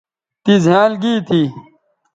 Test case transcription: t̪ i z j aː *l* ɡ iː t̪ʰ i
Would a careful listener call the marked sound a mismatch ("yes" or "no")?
no